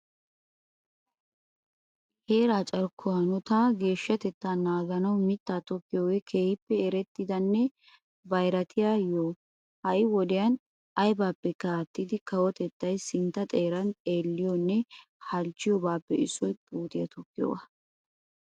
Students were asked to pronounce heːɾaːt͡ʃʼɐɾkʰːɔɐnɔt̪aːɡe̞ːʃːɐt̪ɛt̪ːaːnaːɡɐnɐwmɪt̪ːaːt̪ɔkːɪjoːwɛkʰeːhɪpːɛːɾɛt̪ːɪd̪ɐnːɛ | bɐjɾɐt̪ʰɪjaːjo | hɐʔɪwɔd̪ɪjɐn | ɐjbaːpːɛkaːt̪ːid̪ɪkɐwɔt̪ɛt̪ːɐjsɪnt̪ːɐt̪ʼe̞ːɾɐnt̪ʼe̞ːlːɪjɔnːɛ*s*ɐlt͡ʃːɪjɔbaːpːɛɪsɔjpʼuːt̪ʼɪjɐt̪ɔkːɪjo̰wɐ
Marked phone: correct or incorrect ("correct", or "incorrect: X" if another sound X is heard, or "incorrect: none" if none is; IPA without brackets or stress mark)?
incorrect: h